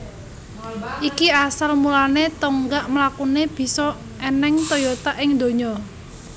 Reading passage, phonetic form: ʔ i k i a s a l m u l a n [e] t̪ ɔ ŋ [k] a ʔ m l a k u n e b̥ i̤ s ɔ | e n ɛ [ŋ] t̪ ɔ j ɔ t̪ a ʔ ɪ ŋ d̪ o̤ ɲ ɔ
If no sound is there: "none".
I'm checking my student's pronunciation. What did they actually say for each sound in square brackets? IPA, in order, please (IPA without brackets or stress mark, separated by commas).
e, ɡ, ŋ